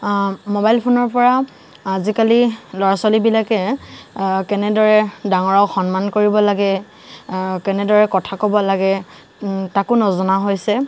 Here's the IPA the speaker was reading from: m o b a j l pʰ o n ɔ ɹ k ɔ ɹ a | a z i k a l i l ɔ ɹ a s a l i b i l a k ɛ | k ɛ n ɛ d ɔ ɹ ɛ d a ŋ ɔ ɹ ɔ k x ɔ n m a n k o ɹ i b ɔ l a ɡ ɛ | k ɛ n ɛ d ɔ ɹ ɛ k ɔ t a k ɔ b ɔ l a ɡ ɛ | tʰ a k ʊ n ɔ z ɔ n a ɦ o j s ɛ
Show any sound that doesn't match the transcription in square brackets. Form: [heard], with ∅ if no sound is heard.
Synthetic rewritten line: m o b a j l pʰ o n ɔ ɹ [p] ɔ ɹ a | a z i k a l i l ɔ ɹ a s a l i b i l a k ɛ | k ɛ n ɛ d ɔ ɹ ɛ d a ŋ ɔ ɹ ɔ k x ɔ n m a n k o ɹ i b ɔ l a ɡ ɛ | k ɛ n ɛ d ɔ ɹ ɛ k ɔ [tʰ] a k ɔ b ɔ l a ɡ ɛ | [t] a k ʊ n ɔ z ɔ n a ɦ o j s ɛ